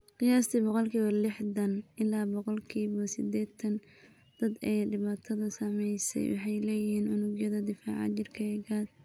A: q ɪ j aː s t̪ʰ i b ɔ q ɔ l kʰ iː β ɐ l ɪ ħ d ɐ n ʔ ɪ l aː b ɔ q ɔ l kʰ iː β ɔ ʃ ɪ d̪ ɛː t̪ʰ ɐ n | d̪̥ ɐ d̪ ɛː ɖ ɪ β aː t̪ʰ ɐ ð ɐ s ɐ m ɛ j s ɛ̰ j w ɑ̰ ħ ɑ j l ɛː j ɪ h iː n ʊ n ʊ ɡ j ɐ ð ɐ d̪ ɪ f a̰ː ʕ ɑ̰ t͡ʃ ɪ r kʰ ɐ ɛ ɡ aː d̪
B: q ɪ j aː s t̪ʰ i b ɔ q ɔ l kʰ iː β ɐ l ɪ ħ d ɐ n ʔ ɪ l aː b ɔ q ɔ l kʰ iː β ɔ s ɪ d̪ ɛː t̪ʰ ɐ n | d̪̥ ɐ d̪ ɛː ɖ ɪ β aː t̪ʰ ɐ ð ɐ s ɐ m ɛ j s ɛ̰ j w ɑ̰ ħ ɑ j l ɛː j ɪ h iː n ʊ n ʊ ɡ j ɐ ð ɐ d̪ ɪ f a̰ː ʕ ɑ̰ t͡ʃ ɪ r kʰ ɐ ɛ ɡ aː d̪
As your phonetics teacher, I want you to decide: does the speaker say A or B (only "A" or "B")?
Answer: B